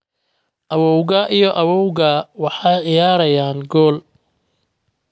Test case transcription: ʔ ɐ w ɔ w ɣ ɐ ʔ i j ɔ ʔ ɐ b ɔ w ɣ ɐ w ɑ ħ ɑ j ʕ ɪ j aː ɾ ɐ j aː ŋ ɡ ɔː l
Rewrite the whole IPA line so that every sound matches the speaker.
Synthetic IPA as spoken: ʔ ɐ w ɔ w ɣ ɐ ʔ i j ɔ ʔ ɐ w ɔ w ɣ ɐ w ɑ ħ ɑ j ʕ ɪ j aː ɾ ɐ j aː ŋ ɡ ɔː l